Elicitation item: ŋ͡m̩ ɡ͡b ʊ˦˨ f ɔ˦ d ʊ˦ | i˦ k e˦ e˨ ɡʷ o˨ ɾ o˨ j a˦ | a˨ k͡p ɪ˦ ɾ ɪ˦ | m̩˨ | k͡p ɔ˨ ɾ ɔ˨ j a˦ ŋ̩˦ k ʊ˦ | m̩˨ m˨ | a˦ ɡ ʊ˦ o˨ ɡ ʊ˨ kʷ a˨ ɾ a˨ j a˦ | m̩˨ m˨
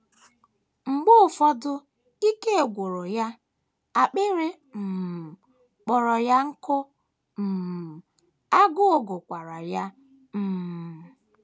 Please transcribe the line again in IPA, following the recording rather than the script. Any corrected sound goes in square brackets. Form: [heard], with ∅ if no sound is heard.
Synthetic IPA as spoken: ŋ͡m̩ ɡ͡b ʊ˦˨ f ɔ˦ d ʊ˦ | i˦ k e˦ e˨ ɡʷ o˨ ɾ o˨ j a˦ | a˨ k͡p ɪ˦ ɾ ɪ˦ | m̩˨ | k͡p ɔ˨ ɾ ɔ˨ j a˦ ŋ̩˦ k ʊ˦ | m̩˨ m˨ | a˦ ɡ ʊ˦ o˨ ɡ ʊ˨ kʷ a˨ ɾ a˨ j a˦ | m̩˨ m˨